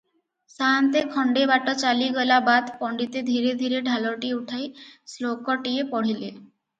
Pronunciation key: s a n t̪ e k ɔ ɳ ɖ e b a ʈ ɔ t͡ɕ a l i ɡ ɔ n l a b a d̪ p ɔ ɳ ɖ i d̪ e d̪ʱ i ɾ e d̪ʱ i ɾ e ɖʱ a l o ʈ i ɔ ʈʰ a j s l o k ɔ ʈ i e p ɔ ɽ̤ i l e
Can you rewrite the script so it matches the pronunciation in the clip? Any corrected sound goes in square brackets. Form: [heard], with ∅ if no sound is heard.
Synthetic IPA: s a n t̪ e [kʰ] ɔ ɳ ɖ e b a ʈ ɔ t͡ɕ a l i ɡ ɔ [∅] l a b a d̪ p ɔ ɳ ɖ i [t̪] e d̪ʱ i ɾ e d̪ʱ i ɾ e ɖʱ a l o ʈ i [u] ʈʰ a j s l o k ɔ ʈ i e p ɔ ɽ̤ i l e